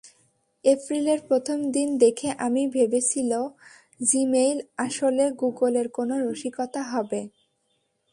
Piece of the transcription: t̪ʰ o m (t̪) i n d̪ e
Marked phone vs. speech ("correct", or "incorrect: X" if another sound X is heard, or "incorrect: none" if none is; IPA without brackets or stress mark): incorrect: d̪